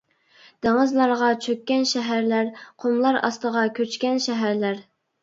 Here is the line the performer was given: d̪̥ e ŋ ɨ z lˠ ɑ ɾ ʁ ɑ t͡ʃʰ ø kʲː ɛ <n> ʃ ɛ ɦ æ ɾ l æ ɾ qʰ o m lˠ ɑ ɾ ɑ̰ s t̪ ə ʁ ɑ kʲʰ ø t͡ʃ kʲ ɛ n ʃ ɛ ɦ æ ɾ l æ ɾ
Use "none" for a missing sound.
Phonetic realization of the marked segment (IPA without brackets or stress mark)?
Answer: n